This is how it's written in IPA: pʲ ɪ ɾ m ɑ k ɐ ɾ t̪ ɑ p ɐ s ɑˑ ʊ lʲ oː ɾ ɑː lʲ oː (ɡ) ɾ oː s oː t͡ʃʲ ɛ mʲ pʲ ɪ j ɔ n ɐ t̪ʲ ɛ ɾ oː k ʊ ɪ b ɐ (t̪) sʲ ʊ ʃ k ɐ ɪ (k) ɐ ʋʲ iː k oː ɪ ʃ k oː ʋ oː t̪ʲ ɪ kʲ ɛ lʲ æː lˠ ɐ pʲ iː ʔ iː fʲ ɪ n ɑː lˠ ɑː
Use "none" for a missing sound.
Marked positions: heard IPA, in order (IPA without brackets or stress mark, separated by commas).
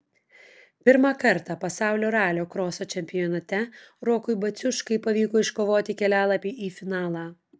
k, t̪, p